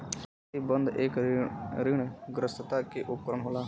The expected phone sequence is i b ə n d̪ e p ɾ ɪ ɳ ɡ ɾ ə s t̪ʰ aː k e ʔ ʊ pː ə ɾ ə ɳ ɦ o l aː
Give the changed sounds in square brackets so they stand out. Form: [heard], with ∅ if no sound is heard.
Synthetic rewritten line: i b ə n d̪ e [k] ɾ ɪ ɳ ɡ ɾ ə s [t̪] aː k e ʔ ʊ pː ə ɾ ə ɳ ɦ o l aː